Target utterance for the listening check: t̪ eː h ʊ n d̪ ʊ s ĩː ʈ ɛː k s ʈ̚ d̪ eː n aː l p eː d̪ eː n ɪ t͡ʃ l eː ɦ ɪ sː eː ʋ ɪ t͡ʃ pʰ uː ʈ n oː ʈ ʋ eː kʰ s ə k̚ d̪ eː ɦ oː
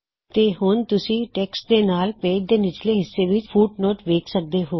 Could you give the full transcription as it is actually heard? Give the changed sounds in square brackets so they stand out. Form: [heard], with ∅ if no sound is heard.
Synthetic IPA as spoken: t̪ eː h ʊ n [t̪] ʊ s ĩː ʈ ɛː k s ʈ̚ d̪ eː n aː l p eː d̪ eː n ɪ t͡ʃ l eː ɦ ɪ sː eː ʋ ɪ t͡ʃ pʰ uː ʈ n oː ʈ ʋ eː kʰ s ə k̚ d̪ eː ɦ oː